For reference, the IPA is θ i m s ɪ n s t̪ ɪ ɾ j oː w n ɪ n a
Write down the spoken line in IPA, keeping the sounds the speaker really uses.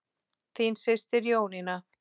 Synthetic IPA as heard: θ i n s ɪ s t̪ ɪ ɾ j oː w n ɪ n a